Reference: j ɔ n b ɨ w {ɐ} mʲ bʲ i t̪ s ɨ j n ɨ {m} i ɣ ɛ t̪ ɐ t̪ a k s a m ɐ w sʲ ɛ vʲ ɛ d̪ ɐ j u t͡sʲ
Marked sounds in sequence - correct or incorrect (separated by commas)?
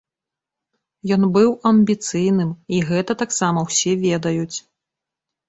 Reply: correct, correct